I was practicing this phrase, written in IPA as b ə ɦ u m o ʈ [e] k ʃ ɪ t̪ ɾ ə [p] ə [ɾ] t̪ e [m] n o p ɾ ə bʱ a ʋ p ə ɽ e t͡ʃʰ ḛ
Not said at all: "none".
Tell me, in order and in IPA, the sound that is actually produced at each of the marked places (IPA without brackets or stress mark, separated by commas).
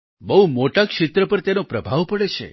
a, p, ɾ, none